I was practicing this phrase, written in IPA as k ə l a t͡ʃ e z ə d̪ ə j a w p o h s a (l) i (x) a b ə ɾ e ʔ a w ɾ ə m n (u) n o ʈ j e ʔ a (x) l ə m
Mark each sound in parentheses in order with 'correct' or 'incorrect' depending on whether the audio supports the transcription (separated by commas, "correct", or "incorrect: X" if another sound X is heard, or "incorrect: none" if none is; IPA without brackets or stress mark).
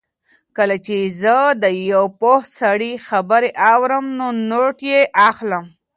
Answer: incorrect: ɽ, correct, incorrect: o, correct